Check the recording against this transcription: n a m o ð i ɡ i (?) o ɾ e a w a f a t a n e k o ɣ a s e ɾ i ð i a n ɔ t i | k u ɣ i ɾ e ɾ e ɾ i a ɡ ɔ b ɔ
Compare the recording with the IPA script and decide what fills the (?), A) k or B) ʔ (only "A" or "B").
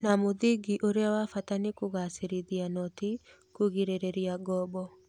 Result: B